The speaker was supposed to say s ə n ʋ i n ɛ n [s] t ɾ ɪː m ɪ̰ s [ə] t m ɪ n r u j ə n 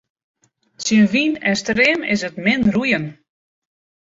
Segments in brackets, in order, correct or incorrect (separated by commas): correct, correct